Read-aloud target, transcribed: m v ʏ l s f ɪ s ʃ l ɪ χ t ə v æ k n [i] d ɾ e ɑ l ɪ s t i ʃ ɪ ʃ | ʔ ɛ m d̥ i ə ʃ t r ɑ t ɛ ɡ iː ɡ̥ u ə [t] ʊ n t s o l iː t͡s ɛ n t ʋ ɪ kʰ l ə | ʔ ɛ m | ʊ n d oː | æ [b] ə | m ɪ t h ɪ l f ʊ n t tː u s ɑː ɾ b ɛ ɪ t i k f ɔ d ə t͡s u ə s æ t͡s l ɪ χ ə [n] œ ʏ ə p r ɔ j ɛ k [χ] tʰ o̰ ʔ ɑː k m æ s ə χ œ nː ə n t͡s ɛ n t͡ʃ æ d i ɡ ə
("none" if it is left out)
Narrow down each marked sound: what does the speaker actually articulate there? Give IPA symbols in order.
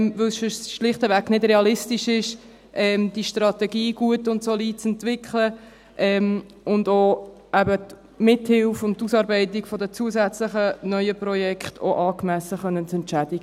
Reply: ɪ, t, b, n, χ

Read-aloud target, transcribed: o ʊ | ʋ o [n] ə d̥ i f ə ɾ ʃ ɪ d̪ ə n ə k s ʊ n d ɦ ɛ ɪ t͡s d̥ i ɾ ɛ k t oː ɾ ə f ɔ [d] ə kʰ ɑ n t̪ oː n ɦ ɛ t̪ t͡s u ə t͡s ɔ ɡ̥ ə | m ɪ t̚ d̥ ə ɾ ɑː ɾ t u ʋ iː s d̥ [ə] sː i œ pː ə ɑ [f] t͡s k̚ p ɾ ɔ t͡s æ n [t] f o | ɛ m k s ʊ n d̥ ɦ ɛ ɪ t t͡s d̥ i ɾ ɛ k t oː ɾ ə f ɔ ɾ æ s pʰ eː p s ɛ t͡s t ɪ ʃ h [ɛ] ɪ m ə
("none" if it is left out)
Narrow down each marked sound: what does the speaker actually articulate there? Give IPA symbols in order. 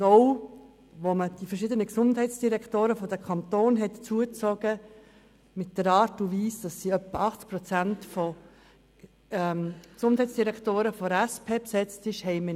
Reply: m, d, ɑ, χ, t, ɛ

